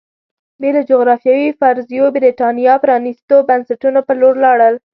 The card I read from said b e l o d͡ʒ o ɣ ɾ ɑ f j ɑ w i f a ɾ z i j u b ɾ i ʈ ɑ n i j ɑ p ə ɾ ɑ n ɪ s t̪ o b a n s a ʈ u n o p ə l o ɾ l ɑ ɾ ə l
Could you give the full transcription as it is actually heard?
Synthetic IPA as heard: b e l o d͡ʒ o ɣ ɾ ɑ f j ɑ w i f a ɾ z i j o b ɾ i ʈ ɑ n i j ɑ p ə ɾ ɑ n i s t̪ o b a n s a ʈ u n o p ə l o ɾ l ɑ ɽ ə l